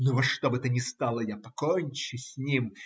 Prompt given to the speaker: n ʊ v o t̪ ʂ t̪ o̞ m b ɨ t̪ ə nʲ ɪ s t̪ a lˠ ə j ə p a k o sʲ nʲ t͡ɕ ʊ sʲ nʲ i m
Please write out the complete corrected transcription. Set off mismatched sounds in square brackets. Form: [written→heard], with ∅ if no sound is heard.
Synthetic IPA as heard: n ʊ v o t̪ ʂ t̪ o̞ [m→∅] b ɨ t̪ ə nʲ ɪ s t̪ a lˠ ə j [ə→a] p [a→ɐ] k o [sʲ→∅] nʲ t͡ɕ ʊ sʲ nʲ i m